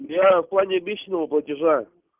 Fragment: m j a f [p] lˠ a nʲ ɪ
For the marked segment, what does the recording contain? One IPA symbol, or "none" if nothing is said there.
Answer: p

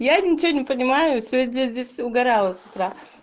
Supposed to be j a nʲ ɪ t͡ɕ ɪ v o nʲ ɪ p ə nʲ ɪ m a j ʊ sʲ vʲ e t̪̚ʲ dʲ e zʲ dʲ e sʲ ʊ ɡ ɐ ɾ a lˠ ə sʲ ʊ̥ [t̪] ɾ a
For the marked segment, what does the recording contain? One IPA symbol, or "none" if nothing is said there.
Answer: t̪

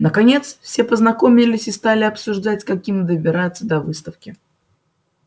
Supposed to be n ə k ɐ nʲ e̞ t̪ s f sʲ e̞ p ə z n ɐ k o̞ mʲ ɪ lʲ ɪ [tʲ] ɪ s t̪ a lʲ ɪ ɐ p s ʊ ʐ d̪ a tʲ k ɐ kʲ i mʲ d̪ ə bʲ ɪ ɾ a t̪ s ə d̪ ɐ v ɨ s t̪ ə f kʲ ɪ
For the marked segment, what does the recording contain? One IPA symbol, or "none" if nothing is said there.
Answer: sʲ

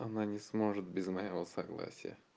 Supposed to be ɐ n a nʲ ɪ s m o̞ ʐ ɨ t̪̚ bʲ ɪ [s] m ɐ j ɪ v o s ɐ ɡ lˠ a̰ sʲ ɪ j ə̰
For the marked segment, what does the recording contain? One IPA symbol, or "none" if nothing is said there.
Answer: z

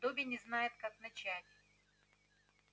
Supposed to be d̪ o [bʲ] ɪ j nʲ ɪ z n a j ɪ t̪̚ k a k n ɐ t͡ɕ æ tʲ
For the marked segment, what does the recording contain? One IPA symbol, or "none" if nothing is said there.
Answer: bʲ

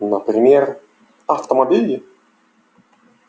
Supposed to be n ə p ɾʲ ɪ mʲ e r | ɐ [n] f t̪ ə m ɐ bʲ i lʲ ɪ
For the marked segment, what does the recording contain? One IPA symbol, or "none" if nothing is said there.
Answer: none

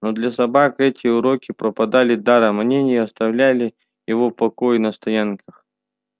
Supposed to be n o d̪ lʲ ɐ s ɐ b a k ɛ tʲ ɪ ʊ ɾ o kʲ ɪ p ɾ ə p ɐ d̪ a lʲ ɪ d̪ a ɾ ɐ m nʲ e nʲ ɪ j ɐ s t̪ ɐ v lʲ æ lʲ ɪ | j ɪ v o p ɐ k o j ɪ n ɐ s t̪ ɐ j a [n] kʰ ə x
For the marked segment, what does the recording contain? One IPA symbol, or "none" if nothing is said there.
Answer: n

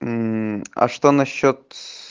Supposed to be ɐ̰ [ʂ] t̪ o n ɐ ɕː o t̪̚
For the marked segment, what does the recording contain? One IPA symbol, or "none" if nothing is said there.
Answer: ʂ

